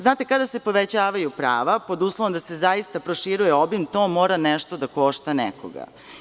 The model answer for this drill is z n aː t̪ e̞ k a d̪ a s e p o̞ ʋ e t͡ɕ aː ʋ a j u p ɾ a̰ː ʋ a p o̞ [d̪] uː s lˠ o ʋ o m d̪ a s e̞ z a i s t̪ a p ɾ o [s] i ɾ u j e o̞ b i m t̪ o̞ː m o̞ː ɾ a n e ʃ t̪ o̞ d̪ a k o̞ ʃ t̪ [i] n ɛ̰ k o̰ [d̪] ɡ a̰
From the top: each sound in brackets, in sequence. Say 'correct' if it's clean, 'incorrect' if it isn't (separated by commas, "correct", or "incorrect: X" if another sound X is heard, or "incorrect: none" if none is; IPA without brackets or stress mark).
correct, incorrect: ʃ, incorrect: a, incorrect: none